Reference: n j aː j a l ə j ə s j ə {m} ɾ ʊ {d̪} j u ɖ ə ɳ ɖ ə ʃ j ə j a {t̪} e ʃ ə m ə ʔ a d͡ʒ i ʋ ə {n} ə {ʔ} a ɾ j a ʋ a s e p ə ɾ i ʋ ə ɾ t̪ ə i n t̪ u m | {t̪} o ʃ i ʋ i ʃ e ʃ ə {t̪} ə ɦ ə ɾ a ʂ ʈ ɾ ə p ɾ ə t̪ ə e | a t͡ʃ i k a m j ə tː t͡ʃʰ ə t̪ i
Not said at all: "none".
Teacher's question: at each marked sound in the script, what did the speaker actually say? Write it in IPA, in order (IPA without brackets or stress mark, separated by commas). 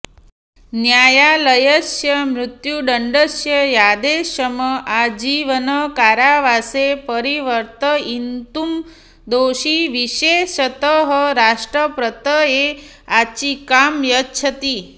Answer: m, t̪, d̪, n, k, d̪, t̪